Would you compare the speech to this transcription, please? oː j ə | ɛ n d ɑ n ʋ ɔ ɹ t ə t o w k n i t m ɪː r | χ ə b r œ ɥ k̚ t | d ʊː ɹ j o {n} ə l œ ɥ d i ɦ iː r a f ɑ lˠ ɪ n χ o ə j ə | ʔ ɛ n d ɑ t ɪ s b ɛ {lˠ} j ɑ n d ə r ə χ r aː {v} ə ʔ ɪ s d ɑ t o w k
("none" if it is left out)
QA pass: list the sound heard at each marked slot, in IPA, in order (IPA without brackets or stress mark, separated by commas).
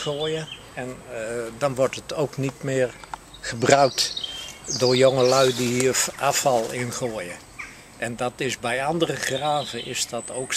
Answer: ŋ, none, v